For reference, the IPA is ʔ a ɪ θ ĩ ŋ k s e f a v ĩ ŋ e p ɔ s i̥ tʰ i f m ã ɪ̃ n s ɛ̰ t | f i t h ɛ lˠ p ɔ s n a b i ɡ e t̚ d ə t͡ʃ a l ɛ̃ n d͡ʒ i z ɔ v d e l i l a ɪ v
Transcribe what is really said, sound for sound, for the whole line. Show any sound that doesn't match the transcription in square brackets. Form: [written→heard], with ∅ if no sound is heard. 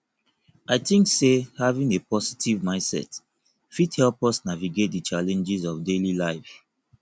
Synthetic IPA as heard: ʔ a ɪ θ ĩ ŋ k s e [f→h] a v ĩ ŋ e p ɔ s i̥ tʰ i [f→v] m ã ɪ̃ n s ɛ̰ t | f i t h ɛ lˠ p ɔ s n a [b→v] i ɡ e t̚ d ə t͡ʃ a l ɛ̃ n d͡ʒ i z ɔ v d e l i l a ɪ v